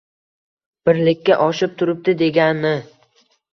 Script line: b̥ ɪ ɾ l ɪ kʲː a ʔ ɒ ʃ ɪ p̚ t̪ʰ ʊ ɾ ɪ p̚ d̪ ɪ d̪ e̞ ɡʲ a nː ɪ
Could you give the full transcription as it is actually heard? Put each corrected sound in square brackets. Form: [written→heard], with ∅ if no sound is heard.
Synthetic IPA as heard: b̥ ɪ ɾ l ɪ kʲː a ʔ ɒ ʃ ɪ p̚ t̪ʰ ʊ ɾ ɪ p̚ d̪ ɪ d̪ e̞ ɡʲ a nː ɪ

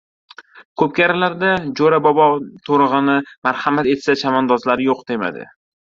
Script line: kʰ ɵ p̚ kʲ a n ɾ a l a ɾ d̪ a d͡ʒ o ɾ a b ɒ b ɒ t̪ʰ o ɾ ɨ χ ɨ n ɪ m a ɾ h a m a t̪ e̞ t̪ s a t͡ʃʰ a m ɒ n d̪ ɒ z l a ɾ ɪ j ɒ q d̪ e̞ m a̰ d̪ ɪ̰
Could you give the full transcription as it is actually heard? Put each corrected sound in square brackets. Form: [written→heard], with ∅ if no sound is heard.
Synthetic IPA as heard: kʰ ɵ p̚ kʲ a [n→∅] ɾ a l a ɾ d̪ a d͡ʒ o ɾ a b ɒ b ɒ t̪ʰ o ɾ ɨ [χ→ʁ] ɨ n ɪ m a ɾ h a m a t̪ e̞ t̪ s a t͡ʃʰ a m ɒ n d̪ ɒ z l a ɾ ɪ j [ɒ→o] q d̪ e̞ m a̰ d̪ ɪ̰

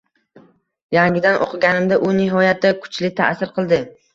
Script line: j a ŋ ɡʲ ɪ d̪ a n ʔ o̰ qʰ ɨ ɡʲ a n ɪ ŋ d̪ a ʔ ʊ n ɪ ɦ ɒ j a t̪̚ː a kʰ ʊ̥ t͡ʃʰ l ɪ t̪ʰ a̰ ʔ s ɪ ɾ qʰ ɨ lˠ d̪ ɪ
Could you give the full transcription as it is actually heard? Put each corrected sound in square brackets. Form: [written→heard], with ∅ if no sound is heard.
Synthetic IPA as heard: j a ŋ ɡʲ ɪ d̪ a n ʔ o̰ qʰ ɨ ɡʲ a n ɪ [ŋ→m] d̪ a ʔ ʊ n ɪ ɦ ɒ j a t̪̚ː a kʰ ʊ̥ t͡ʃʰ l ɪ t̪ʰ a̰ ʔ s ɪ ɾ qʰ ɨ lˠ d̪ ɪ

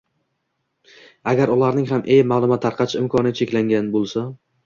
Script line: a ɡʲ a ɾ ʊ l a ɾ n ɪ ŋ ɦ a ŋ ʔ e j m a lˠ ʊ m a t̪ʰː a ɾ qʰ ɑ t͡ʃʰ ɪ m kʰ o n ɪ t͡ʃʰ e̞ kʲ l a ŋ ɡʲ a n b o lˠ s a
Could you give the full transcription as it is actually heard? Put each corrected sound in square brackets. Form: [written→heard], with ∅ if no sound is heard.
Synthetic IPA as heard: a ɡʲ a ɾ ʊ l a ɾ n ɪ ŋ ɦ a [ŋ→m] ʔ e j m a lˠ ʊ m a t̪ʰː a ɾ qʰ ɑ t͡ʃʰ ɪ m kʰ [o→ɒ] n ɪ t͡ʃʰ e̞ kʲ l a ŋ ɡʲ a n b o lˠ s a

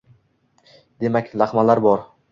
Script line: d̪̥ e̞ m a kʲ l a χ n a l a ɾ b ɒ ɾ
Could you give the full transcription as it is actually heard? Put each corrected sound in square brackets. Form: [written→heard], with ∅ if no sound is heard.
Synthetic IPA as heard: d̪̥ e̞ m a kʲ l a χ [n→m] a l a ɾ b ɒ ɾ

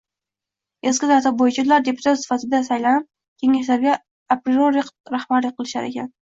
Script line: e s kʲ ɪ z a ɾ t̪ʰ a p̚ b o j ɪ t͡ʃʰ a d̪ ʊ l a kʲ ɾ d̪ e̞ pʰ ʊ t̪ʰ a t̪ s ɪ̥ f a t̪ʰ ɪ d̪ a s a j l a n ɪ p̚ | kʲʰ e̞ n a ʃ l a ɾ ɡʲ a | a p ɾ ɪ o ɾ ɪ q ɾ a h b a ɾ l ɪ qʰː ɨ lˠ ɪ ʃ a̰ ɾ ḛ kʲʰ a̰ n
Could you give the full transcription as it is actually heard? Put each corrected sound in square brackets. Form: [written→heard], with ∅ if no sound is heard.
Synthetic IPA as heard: e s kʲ ɪ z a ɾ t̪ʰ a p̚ b o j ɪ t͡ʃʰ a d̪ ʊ l a [kʲ→∅] ɾ d̪ e̞ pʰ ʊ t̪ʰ a t̪ s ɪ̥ f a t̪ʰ ɪ d̪ a s a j l a n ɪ p̚ | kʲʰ e̞ [n→ŋ] a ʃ l a ɾ ɡʲ a | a p ɾ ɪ o ɾ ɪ q ɾ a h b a ɾ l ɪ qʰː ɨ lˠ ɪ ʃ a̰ ɾ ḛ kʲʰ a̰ n

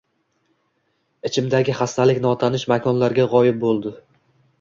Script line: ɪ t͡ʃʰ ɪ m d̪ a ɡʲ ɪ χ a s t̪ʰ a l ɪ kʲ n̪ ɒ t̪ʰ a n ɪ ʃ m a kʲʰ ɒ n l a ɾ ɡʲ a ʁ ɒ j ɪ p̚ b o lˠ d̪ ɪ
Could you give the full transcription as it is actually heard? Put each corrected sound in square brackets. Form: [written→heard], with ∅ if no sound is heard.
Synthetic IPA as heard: ɪ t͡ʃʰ ɪ m d̪ a ɡʲ ɪ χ a s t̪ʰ a l ɪ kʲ n̪ ɒ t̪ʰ a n ɪ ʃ m a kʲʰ ɒ n l a ɾ ɡʲ a ʁ ɒ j ɪ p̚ b o lˠ d̪ ɪ

